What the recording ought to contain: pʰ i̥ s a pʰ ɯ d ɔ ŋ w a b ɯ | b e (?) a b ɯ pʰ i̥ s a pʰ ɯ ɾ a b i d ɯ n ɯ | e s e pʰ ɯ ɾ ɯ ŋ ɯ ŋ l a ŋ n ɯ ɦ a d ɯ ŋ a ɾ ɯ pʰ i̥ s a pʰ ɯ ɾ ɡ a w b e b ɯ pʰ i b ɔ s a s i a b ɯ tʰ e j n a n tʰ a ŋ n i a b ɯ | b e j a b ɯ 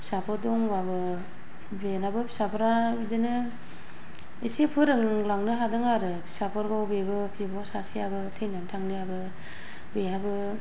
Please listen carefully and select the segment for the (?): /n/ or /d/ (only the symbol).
n